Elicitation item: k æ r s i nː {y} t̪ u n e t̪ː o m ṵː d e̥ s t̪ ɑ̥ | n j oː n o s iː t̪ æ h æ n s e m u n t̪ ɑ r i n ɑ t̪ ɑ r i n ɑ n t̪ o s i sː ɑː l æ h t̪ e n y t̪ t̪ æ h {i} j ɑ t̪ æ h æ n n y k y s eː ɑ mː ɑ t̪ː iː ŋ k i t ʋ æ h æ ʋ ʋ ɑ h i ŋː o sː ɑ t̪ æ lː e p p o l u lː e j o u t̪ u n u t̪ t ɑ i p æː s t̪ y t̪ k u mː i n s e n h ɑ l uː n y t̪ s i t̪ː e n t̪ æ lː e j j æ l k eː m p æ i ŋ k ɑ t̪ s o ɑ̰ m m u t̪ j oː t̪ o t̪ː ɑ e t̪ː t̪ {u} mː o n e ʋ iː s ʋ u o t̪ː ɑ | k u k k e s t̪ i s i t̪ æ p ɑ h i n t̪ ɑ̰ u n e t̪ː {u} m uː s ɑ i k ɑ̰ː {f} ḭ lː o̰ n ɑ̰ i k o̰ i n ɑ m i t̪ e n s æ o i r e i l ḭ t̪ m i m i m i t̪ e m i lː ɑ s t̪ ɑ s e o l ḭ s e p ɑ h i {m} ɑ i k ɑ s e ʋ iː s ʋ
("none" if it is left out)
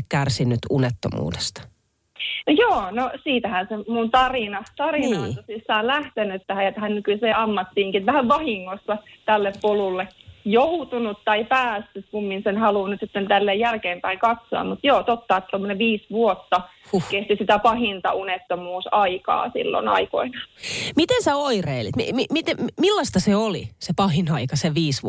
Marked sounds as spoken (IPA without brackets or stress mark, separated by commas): y, æ, o, o, s, n